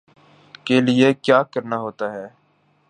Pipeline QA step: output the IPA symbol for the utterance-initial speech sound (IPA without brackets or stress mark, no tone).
k